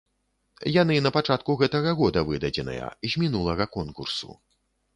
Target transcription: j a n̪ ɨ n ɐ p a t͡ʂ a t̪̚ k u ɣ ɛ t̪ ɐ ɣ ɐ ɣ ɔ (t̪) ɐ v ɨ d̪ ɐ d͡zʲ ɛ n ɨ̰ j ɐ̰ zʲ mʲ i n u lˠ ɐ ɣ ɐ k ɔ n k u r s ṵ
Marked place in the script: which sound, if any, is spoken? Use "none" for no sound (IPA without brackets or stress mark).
d̪